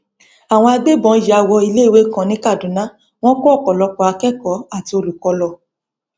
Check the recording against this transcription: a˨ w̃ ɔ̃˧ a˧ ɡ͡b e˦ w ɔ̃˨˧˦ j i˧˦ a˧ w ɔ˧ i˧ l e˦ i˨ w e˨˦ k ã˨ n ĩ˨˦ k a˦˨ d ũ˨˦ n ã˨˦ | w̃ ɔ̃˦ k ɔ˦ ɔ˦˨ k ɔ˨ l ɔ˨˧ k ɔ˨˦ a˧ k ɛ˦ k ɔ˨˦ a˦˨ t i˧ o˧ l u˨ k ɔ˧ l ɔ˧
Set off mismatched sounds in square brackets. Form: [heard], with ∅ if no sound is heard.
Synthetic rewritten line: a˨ w̃ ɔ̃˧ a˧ ɡ͡b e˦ [b] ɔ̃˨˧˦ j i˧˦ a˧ w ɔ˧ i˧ l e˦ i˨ w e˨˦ k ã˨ n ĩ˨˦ k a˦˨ d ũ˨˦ n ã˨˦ | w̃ ɔ̃˦ k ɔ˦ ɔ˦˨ k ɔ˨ l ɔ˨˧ k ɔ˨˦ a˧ k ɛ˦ k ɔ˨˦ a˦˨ t i˧ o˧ l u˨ k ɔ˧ l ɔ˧

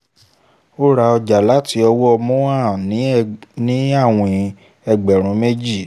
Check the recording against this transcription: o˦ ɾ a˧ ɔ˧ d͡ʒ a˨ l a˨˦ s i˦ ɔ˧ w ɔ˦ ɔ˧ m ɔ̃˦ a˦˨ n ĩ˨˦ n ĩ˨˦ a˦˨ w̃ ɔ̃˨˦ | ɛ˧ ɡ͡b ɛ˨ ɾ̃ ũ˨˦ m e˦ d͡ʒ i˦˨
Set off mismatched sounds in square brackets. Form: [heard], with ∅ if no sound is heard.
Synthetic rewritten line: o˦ ɾ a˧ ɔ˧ d͡ʒ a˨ l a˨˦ [t] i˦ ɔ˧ w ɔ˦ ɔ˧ m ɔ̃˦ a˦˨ n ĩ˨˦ n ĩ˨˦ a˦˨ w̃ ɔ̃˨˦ | ɛ˧ ɡ͡b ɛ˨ ɾ̃ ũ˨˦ m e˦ d͡ʒ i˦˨

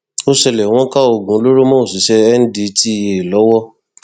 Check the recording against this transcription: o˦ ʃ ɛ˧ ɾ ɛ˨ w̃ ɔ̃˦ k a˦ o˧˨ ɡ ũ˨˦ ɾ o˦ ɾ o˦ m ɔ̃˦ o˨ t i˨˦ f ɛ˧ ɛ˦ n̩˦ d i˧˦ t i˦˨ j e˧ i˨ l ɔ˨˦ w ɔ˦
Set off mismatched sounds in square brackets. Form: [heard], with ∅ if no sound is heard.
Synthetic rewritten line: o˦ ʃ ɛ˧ [l] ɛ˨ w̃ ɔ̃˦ k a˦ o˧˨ ɡ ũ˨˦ [l] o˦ ɾ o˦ m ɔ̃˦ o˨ [s] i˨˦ [ʃ] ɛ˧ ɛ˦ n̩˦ d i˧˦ t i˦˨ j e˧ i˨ l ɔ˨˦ w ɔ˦

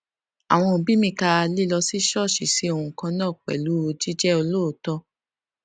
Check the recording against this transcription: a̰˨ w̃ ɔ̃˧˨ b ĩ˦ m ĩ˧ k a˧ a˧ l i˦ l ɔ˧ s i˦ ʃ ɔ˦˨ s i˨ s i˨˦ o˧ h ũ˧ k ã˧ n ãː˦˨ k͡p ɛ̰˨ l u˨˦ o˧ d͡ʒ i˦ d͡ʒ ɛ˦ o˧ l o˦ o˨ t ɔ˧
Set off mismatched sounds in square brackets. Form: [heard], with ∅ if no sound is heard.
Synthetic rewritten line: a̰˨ w̃ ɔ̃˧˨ b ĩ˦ m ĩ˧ k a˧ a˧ l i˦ l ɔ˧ s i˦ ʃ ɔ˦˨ [ʃ] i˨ s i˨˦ o˧ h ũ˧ k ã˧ n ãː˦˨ k͡p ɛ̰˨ l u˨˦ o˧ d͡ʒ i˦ d͡ʒ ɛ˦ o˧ l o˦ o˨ t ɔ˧

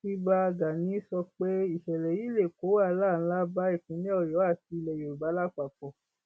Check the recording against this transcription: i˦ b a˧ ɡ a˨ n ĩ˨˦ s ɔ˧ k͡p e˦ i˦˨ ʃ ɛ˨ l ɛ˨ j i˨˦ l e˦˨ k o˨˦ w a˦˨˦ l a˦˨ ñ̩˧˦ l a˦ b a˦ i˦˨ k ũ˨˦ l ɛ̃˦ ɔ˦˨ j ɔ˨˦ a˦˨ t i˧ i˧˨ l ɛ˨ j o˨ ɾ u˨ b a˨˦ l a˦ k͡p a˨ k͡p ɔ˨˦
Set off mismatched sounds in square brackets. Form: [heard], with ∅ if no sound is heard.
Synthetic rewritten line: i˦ b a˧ ɡ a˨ n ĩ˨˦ s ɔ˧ k͡p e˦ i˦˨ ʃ ɛ˨ l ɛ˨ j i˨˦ l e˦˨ k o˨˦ w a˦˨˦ l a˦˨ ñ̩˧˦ l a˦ b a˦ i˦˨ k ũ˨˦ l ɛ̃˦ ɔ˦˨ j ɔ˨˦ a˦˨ t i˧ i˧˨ l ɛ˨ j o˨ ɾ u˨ b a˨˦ l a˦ k͡p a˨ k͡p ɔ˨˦

